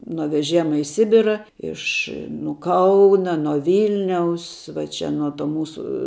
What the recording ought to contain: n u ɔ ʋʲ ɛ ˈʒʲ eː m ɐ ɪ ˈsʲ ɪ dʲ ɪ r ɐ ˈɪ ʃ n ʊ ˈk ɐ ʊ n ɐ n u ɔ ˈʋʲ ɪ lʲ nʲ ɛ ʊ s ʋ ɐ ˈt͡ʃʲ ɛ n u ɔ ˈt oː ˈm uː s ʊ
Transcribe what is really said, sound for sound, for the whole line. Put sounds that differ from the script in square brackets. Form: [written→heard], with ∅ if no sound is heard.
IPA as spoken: n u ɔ ʋʲ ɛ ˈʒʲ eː m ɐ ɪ ˈsʲ ɪ [dʲ→bʲ] ɪ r ɐ ˈɪ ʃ n ʊ ˈk ɐ ʊ n ɐ n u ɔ ˈʋʲ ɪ lʲ nʲ ɛ ʊ s ʋ ɐ ˈt͡ʃʲ ɛ n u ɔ ˈt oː ˈm uː s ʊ